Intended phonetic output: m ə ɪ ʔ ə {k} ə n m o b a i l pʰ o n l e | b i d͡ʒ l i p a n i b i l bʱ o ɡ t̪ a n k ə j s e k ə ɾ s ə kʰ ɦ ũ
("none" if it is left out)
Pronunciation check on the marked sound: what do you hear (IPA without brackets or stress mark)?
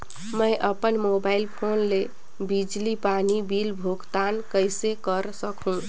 p